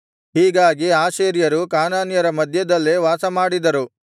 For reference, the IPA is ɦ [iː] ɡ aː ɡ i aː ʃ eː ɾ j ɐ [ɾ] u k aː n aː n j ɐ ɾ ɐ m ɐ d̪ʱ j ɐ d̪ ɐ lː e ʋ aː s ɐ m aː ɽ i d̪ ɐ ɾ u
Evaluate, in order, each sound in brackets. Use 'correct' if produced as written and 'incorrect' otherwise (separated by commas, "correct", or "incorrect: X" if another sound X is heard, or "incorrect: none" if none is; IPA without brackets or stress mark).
correct, correct